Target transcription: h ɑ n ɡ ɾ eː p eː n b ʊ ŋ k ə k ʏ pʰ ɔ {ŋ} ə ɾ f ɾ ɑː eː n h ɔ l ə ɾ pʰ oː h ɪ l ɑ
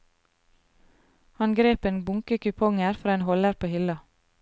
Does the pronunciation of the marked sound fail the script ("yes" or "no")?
no